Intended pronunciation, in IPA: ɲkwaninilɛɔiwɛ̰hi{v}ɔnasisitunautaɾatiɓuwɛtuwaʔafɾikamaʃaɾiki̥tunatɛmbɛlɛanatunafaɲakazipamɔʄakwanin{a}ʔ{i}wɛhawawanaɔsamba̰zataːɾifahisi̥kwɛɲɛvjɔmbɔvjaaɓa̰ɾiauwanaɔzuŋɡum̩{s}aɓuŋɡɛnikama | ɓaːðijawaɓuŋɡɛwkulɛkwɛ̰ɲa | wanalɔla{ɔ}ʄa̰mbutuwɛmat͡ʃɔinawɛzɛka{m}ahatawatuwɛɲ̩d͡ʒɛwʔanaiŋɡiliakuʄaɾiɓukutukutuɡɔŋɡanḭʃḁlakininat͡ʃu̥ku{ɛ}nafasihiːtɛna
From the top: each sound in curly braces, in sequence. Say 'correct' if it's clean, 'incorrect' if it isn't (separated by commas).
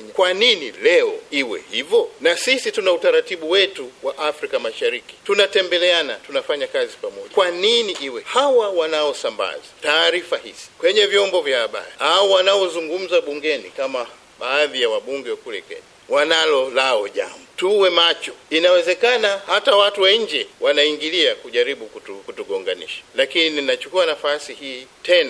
correct, incorrect, correct, incorrect, correct, incorrect, incorrect